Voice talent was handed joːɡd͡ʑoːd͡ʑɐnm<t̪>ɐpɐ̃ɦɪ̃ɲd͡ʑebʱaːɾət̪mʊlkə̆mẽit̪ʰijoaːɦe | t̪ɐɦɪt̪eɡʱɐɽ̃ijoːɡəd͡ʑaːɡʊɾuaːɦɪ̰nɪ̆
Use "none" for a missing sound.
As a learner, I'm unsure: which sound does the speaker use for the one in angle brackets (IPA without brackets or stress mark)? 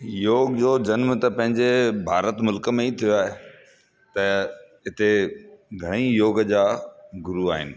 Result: t̪